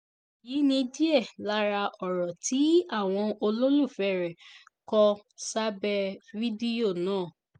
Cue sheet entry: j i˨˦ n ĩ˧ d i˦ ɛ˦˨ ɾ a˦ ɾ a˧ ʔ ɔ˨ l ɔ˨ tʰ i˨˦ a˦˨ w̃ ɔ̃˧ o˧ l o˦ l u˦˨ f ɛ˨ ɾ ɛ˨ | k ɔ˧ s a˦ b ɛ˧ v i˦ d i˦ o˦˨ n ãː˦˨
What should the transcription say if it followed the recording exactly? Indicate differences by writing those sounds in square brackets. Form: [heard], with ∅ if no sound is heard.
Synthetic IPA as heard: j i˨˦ n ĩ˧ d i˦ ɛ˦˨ [l] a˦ ɾ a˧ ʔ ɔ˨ [ɾ] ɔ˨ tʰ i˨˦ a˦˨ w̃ ɔ̃˧ o˧ l o˦ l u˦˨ f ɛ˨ ɾ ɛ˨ | k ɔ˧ s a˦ b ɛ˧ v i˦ d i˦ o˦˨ n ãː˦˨